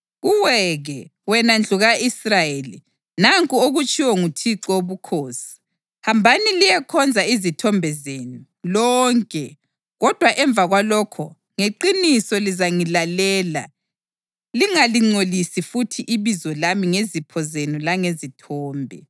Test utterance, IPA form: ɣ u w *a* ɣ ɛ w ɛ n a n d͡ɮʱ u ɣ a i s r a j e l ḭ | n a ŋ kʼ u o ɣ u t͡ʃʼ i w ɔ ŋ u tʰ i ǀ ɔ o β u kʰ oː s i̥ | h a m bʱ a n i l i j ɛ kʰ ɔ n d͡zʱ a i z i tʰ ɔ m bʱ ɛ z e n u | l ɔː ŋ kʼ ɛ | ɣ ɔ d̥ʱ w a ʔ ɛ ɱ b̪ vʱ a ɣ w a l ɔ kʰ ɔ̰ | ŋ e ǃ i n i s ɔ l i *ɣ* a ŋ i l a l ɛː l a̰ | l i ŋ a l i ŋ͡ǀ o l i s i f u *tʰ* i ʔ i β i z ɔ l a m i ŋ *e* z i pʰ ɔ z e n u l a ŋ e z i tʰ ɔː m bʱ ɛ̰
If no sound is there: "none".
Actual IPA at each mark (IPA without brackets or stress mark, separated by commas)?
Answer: ɛ, z, tʰ, e